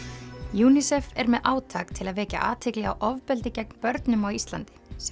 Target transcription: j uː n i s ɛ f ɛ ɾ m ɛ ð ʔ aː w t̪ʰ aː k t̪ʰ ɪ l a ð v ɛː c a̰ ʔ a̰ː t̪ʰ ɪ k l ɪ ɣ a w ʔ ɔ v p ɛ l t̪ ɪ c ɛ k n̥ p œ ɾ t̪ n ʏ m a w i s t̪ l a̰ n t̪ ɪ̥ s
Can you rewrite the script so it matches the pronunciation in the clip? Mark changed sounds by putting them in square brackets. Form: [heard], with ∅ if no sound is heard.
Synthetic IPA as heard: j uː n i s ɛ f ɛ ɾ m ɛ ð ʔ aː w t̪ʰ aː k t̪ʰ ɪ l a ð v ɛː c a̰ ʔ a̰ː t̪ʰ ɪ k l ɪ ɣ a w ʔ ɔ v p ɛ l t̪ ɪ c ɛ k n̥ p œ ɾ t̪ n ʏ m a w i s t̪ l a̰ n t̪ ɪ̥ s